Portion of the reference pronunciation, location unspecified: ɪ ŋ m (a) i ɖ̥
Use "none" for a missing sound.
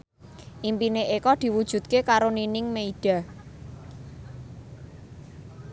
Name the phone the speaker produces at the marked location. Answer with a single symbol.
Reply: e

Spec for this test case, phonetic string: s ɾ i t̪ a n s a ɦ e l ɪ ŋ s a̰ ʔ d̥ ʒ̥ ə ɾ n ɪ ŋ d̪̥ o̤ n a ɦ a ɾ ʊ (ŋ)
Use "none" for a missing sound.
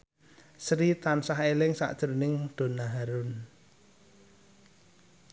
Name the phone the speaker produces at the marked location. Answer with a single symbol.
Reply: n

